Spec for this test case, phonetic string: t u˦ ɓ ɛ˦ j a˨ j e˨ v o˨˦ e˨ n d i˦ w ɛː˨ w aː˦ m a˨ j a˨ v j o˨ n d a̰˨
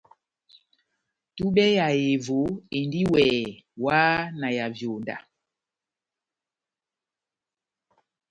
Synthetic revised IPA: t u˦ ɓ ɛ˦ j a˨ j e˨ v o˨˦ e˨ n d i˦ w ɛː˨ w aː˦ n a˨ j a˨ v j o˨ n d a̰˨

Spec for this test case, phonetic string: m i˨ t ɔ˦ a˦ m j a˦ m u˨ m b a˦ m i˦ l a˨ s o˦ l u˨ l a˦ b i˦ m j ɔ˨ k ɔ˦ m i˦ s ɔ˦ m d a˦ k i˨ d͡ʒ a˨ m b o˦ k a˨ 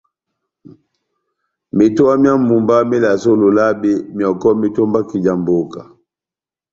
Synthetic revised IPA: m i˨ t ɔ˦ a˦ m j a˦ m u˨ m b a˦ m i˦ l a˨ s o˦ l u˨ l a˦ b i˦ m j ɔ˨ k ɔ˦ m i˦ t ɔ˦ m b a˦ k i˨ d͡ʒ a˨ m b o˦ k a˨

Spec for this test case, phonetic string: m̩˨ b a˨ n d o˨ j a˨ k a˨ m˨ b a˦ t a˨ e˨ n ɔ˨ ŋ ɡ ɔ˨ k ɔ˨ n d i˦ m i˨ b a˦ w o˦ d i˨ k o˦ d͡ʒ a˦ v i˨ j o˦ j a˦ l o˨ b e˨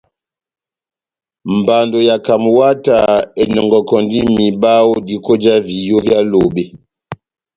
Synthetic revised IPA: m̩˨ b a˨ n d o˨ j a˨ k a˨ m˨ w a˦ t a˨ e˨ n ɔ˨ ŋ ɡ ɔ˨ k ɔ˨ n d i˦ m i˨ b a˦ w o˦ d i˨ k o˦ d͡ʒ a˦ v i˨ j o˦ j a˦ l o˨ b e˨

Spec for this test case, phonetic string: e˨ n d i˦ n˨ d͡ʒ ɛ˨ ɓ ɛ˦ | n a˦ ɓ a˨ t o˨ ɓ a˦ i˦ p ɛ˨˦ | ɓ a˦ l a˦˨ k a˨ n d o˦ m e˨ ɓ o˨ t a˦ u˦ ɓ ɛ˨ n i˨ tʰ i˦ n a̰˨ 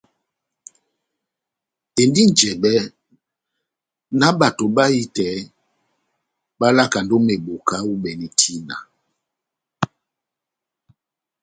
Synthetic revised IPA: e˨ n d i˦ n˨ d͡ʒ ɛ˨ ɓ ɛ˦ | n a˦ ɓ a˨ t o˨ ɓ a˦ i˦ t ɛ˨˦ | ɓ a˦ l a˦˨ k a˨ n d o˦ m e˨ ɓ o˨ k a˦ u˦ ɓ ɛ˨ n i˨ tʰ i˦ n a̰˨

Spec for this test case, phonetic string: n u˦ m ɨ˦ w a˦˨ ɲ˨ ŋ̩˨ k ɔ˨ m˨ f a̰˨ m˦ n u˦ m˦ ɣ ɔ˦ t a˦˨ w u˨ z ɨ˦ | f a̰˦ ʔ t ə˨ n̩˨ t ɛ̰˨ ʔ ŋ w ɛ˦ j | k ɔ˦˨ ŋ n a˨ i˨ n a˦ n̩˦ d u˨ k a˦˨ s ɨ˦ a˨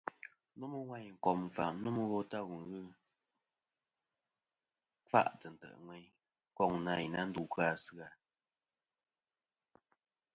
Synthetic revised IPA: n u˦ m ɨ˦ w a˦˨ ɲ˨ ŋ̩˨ k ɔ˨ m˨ f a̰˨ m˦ n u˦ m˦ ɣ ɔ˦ t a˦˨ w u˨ ɣ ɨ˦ | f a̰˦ ʔ t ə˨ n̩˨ t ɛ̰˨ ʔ ŋ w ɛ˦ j | k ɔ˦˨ ŋ n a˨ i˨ n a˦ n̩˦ d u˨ k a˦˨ s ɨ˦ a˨

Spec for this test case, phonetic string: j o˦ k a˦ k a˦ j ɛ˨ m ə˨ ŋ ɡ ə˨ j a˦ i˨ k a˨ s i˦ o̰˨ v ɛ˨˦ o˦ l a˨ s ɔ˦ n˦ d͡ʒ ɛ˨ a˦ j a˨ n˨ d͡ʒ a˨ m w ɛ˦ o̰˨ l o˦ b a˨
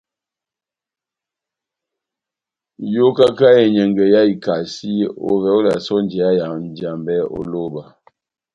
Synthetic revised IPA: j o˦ k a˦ k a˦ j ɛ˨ ɲ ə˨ ŋ ɡ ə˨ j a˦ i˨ k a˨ s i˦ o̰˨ v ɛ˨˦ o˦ l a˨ s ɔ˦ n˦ d͡ʒ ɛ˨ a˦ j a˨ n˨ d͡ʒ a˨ m b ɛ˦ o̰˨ l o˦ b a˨

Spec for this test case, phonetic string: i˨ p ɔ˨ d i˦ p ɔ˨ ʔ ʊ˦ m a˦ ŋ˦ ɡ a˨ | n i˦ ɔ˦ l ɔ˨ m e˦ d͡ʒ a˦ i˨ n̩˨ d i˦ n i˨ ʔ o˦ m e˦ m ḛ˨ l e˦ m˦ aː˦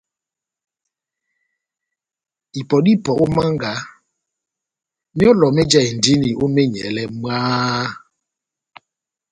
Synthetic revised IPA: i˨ p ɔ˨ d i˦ p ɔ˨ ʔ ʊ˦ m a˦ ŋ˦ ɡ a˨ | m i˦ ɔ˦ l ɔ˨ m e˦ d͡ʒ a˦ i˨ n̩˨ d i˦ n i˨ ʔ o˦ m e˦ ɲ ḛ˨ l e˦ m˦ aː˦

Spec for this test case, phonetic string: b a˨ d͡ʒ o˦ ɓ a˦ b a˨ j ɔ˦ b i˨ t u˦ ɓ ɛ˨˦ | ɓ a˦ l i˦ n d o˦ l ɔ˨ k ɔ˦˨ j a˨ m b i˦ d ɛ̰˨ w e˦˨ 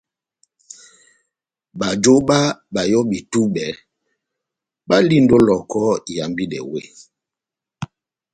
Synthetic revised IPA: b a˨ d͡ʒ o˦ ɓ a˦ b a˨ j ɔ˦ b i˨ t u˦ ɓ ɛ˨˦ | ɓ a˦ l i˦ n d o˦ l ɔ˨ k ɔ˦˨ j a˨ m b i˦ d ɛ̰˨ w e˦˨

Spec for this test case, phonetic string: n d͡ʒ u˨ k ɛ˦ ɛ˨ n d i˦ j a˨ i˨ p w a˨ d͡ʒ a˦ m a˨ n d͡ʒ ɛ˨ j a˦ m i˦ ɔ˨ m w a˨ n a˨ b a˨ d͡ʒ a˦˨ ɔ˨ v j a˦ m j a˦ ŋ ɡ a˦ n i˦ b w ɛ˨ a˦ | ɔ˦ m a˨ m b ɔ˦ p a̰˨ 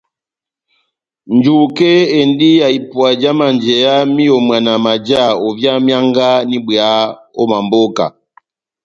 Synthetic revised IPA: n d͡ʒ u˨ k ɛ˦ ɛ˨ n d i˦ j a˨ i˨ p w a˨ d͡ʒ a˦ m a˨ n d͡ʒ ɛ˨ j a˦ m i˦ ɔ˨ m w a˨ n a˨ m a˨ d͡ʒ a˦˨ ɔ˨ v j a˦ m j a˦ ŋ ɡ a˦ n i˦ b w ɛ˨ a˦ | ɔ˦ m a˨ m b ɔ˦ k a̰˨

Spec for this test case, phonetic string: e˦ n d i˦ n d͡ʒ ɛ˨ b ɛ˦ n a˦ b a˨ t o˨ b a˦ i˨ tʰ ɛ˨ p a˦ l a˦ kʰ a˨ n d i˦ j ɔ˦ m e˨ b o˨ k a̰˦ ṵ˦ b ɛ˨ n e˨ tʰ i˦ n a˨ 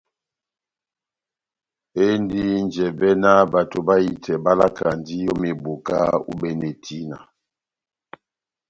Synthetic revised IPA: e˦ n d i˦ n d͡ʒ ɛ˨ b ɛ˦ n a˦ b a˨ t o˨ b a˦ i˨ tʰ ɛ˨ b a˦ l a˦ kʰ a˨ n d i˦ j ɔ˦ m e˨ b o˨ k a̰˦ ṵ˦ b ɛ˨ n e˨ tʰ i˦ n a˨

